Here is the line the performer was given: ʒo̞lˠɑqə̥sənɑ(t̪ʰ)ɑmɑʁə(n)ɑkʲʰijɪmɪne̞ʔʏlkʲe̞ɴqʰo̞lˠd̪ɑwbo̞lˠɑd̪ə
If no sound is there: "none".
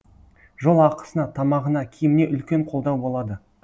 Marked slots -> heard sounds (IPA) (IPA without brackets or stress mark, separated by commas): t̪ʰ, n